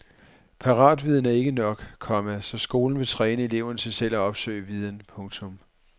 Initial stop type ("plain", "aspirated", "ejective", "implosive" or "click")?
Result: aspirated